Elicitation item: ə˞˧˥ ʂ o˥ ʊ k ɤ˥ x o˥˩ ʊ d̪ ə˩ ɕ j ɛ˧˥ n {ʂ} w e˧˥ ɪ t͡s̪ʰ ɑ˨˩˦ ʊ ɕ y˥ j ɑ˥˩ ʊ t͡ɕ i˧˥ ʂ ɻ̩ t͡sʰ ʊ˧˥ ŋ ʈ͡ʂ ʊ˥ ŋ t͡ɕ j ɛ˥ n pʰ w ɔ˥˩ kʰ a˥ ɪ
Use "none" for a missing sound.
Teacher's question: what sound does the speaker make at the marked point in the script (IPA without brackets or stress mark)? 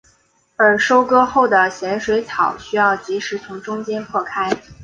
ʂ